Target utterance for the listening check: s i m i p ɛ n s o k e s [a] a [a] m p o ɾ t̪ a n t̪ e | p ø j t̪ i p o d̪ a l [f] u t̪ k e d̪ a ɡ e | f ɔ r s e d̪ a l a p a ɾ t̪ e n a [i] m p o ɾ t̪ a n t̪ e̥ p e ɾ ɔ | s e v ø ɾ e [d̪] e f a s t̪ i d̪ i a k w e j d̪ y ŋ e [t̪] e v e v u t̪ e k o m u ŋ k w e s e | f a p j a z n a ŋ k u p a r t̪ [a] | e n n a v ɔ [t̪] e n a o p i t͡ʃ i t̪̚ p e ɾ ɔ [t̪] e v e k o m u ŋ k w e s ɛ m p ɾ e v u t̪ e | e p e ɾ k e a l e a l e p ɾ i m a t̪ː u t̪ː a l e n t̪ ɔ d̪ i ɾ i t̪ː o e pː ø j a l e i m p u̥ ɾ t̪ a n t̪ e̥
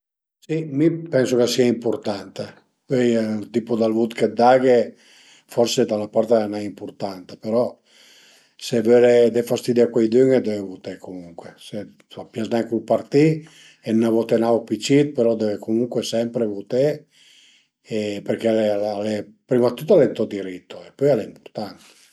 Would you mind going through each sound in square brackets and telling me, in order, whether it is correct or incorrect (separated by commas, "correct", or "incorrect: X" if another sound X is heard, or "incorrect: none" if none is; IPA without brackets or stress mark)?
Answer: incorrect: i, incorrect: i, incorrect: v, correct, correct, incorrect: d̪, incorrect: i, correct, incorrect: d̪